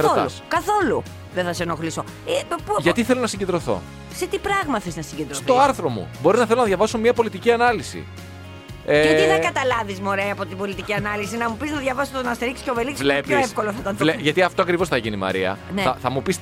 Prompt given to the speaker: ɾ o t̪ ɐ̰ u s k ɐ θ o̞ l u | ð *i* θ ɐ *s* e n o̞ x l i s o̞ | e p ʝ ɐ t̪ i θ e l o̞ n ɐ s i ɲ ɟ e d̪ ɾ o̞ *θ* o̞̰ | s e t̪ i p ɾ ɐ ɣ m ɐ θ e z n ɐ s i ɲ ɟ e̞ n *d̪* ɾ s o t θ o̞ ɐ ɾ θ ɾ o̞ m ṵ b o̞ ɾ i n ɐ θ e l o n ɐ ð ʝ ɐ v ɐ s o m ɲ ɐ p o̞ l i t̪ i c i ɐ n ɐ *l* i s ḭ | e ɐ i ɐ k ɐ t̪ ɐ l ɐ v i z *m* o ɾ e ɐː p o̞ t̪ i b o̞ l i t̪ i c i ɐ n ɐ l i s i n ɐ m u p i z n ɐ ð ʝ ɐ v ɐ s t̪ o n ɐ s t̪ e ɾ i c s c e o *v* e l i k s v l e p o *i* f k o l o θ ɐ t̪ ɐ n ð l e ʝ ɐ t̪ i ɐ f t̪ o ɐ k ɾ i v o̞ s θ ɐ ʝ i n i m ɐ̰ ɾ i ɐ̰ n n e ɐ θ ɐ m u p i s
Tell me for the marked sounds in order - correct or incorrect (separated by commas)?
incorrect, correct, correct, correct, correct, correct, correct, incorrect